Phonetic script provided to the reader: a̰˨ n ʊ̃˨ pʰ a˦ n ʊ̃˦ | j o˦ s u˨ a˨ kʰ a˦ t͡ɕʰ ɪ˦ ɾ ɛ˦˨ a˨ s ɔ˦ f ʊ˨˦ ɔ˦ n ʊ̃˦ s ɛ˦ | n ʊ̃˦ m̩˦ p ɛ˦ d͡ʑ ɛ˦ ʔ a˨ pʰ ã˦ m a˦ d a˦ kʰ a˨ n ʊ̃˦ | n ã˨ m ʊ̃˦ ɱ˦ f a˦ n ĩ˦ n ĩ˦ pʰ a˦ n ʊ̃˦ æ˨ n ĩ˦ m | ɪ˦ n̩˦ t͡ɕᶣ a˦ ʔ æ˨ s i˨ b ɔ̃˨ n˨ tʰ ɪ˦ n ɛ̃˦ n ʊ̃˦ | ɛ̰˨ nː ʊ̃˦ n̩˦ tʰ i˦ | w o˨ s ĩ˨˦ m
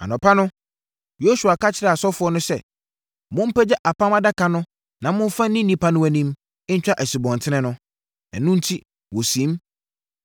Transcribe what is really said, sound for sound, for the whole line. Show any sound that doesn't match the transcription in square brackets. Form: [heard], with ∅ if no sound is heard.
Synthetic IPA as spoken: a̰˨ n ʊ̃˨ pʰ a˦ n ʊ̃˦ | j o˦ s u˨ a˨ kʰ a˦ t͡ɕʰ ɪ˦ ɾ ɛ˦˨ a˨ s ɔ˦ f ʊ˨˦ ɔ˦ n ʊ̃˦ s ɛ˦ | [m] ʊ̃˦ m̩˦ p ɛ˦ d͡ʑ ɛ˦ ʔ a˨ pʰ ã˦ m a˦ d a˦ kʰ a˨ n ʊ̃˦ | n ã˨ m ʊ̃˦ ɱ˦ f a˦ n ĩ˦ n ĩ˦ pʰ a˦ n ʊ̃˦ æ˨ n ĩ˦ m | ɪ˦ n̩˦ t͡ɕᶣ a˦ ʔ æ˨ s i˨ b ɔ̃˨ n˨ tʰ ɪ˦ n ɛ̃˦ n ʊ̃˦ | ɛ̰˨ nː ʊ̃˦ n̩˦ tʰ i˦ | w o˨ s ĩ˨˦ m